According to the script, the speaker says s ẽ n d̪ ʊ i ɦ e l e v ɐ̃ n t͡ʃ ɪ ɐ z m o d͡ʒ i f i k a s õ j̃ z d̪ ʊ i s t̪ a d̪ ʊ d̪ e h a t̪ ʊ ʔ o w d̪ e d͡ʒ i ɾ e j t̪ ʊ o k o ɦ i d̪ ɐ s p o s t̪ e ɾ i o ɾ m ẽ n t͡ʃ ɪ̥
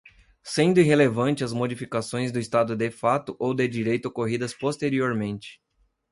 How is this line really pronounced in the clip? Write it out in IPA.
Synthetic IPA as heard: s ẽ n d̪ ʊ i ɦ e l e v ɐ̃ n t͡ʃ ɪ ɐ z m o d͡ʒ i f i k a s õ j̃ z d̪ ʊ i s t̪ a d̪ ʊ d̪ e f a t̪ ʊ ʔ o w d̪ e d͡ʒ i ɾ e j t̪ ʊ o k o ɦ i d̪ ɐ s p o s t̪ e ɾ i o ɾ m ẽ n t͡ʃ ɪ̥